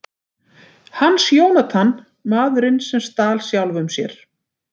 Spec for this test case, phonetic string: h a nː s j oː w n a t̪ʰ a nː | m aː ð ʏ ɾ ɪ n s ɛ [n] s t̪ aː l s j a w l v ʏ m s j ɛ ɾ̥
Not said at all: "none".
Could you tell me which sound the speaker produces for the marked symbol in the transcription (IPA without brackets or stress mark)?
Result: m